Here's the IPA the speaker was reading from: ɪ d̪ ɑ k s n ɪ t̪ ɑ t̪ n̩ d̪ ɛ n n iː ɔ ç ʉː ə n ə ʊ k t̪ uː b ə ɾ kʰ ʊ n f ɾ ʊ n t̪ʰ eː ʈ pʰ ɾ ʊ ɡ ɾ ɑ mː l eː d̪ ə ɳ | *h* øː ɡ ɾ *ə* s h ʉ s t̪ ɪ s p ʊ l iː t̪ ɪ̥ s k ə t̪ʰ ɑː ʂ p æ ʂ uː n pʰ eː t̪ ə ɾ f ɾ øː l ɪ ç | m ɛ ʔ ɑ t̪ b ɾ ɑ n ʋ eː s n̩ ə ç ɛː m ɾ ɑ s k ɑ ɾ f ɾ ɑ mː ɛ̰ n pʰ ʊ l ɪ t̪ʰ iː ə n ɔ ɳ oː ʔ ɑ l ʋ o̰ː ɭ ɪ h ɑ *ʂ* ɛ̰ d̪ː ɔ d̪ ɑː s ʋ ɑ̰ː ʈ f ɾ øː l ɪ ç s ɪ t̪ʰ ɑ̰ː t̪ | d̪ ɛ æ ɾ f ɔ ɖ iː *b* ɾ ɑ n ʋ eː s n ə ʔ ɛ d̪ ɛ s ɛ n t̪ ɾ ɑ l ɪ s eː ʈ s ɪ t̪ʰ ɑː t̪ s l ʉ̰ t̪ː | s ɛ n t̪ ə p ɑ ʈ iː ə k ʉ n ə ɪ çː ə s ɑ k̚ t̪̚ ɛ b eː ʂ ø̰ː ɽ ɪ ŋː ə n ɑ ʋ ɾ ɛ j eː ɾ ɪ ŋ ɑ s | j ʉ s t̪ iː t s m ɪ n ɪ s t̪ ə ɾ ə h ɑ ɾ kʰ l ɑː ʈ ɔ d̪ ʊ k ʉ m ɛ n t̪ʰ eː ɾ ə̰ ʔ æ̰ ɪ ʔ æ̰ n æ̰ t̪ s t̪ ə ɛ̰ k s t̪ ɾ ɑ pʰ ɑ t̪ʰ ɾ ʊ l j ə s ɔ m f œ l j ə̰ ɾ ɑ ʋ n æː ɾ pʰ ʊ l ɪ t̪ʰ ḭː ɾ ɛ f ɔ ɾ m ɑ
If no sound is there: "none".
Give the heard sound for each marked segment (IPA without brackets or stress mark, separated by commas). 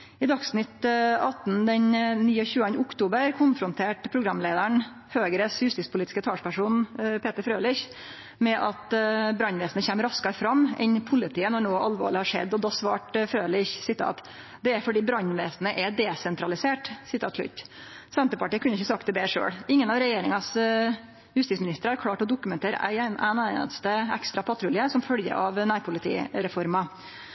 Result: h, ə, ʂ, b